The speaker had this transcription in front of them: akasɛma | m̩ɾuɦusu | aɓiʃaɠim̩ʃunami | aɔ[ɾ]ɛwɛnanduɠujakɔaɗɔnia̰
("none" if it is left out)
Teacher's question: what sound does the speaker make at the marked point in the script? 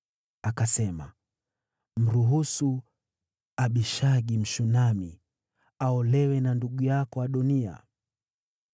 l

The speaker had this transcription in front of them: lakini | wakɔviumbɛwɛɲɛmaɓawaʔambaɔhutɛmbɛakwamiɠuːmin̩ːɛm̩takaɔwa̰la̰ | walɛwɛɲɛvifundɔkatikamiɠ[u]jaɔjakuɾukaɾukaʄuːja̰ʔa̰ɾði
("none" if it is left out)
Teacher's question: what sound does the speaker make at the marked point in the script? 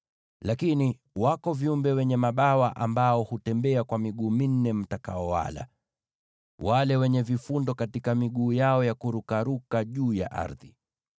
uː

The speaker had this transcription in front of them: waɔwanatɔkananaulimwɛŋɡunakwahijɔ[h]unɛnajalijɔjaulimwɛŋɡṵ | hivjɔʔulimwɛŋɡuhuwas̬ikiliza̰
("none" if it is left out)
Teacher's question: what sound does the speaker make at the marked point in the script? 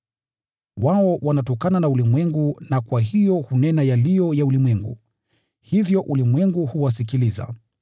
h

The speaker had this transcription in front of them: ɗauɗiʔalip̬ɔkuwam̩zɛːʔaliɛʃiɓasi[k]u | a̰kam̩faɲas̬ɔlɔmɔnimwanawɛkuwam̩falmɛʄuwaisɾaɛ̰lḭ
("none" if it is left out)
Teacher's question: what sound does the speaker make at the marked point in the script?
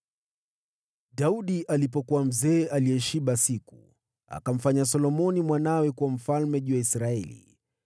k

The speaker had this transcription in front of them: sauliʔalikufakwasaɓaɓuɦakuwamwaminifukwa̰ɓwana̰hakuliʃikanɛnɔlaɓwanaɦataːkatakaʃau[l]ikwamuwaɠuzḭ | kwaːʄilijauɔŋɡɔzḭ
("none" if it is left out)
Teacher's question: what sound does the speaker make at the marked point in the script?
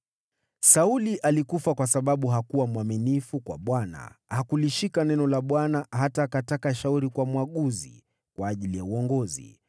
ɾ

